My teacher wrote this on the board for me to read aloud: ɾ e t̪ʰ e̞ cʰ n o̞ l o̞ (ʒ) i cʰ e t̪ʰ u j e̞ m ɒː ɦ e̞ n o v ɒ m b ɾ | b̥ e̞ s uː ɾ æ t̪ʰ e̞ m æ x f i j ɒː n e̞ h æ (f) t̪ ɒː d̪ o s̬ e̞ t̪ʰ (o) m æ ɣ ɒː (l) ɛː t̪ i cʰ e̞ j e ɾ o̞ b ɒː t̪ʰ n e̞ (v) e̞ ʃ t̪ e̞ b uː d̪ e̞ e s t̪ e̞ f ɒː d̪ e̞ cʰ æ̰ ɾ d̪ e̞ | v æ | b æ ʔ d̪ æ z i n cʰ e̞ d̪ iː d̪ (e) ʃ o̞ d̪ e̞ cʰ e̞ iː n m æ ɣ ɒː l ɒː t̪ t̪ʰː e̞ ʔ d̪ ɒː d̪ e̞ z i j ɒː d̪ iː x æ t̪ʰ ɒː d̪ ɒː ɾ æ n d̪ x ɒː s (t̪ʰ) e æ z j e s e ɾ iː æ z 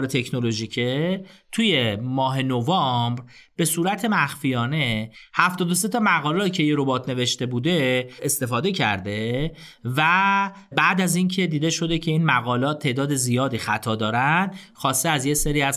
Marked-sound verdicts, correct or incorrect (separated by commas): correct, correct, incorrect, correct, correct, correct, incorrect